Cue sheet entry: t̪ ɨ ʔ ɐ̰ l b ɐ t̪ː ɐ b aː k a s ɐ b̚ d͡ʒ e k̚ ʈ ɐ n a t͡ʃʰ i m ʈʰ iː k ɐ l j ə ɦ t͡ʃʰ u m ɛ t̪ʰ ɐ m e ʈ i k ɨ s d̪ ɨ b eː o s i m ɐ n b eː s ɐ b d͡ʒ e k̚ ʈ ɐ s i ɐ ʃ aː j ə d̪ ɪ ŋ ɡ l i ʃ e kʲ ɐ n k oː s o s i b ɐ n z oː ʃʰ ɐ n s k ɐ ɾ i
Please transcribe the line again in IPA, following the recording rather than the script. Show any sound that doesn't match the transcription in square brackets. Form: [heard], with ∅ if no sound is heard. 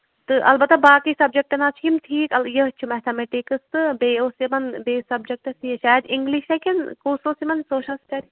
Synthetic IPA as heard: t̪ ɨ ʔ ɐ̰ l b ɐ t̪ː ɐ b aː k [i] s ɐ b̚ d͡ʒ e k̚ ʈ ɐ n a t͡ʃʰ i m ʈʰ iː k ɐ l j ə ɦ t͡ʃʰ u m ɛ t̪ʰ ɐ m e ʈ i k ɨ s [t̪] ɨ b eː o s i m ɐ n b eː s ɐ b d͡ʒ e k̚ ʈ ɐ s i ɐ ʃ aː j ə d̪ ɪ ŋ ɡ l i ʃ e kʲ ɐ n k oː s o s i [m] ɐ n [s] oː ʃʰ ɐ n s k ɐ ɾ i